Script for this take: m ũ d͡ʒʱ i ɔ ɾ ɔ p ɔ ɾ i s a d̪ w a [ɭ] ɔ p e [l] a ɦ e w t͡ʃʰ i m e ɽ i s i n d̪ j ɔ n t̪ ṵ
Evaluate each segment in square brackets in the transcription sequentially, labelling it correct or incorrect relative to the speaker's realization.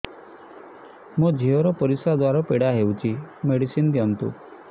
incorrect: ɾ, incorrect: ɽ

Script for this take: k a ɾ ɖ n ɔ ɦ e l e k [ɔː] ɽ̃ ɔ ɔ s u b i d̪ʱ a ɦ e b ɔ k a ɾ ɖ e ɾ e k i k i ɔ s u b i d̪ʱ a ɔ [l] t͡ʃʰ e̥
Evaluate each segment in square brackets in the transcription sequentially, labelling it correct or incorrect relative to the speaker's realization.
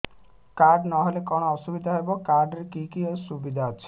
incorrect: ɔ, incorrect: none

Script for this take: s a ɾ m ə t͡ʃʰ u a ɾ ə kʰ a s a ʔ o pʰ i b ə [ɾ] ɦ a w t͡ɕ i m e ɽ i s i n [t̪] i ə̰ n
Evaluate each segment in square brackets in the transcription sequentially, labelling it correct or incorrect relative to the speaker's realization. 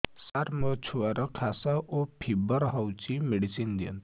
correct, incorrect: d̪

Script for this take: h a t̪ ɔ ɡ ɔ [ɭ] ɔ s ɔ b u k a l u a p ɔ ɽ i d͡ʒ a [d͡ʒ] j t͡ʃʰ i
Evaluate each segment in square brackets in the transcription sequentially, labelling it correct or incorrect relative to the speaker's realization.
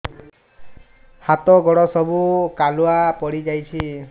incorrect: ɽ, incorrect: none

